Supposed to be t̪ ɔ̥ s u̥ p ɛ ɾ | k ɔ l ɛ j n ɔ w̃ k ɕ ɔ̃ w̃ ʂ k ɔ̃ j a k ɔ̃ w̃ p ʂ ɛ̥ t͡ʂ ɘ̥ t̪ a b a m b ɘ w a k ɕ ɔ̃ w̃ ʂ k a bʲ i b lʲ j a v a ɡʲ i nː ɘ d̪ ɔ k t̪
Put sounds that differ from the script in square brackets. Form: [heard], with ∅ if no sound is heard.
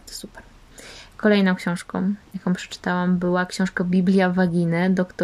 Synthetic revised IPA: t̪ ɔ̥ s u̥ p ɛ ɾ | k ɔ l ɛ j n [ɔ̃] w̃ k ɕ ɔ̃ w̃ ʂ k ɔ̃ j a k ɔ̃ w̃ p ʂ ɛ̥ t͡ʂ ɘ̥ t̪ a [w] a m b ɘ w a k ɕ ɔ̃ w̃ ʂ k a bʲ i b lʲ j a v a ɡʲ i [n] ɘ d̪ ɔ k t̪